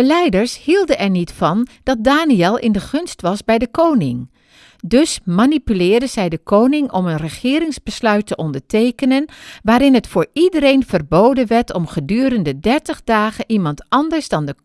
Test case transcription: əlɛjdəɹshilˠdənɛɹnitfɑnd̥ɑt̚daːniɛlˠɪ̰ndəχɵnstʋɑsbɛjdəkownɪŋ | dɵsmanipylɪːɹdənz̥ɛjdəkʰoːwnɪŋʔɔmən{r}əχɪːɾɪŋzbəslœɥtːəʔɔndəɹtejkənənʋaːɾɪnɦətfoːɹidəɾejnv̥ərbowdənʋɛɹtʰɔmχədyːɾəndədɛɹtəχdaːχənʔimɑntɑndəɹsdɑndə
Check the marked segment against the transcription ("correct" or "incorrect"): correct